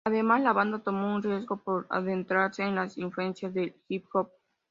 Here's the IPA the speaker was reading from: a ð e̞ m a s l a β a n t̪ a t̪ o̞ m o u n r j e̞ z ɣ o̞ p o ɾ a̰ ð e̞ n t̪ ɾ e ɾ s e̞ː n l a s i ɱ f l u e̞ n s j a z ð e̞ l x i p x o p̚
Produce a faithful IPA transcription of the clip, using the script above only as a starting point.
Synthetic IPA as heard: a ð e̞ m a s l a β a n d̪ a t̪ o̞ m o u n r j e̞ z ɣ o̞ p o ɾ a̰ ð e̞ n t̪ ɾ a ɾ s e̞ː n l a s i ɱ f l u e̞ n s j a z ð e̞ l x i p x o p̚